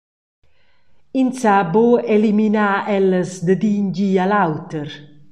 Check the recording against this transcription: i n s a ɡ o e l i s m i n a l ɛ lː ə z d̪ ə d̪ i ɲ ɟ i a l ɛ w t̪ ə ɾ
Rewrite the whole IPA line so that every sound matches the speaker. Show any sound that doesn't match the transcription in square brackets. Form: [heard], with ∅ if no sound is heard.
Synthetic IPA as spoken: i n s a [b] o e l i [∅] m i n a [∅] ɛ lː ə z d̪ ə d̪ i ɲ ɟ i a l [a] w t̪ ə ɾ